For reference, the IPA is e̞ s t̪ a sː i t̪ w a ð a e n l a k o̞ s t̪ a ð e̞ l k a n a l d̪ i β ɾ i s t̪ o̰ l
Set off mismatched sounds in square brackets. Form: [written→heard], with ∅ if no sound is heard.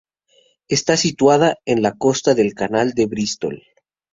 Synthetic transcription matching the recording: e̞ s t̪ a [sː→s] i t̪ w a ð a e n l a k o̞ s t̪ a ð e̞ l k a n a l d̪ [i→e] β ɾ i s t̪ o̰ l